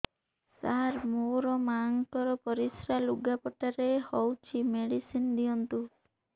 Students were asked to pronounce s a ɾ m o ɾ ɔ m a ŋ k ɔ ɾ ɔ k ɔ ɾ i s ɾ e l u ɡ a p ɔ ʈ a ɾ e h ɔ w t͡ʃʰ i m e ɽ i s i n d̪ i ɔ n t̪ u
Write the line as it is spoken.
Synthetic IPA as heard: s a ɾ m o ɾ ɔ m a ŋ k ɔ ɾ ɔ p ɔ ɾ i s ɾ a l u ɡ a p ɔ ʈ a ɾ e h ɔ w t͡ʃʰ i m e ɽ i s i n d̪ i ɔ n t̪ u